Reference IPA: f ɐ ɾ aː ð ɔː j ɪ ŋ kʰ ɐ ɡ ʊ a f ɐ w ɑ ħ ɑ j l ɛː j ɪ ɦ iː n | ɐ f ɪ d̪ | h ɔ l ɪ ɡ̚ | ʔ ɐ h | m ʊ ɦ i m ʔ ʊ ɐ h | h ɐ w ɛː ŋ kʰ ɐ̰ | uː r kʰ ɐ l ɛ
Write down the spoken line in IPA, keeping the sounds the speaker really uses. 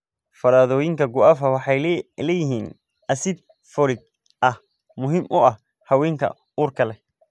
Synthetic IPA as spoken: f ɐ ɾ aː ð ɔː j ɪ ŋ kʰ ɐ ɡ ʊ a f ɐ w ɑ ħ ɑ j l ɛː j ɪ ɦ iː n | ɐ s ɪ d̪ | f ɔ l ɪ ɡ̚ | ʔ ɐ h | m ʊ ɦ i m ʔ ʊ ɐ h | h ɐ w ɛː ŋ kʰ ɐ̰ | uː r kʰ ɐ l ɛ